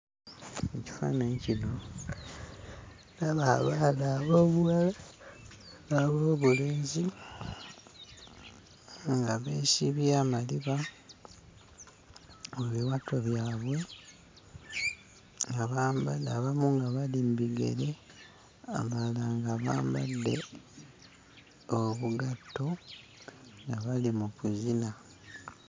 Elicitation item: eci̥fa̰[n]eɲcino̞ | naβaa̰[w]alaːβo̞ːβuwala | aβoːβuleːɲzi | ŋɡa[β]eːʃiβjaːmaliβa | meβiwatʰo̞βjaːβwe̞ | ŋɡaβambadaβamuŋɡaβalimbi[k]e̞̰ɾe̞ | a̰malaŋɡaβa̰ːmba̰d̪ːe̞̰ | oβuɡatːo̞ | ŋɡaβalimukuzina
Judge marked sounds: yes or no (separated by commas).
yes, no, yes, no